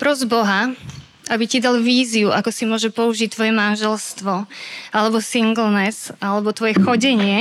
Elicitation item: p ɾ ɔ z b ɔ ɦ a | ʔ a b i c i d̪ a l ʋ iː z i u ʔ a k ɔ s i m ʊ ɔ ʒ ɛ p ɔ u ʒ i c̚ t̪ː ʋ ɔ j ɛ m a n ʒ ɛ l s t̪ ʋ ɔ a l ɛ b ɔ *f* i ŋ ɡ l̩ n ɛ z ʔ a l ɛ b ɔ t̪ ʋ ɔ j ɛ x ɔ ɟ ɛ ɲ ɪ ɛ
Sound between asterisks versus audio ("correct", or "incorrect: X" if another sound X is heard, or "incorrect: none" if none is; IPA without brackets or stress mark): incorrect: s